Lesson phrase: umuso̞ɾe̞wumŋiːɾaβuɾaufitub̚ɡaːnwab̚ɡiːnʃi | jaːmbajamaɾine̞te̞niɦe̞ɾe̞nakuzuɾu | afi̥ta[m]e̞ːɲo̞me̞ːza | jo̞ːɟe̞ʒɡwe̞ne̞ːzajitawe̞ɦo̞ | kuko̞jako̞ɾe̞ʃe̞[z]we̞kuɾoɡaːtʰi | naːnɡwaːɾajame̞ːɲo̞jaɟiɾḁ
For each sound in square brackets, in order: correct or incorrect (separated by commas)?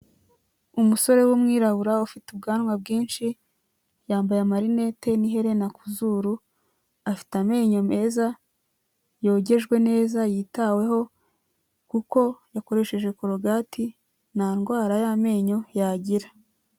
correct, incorrect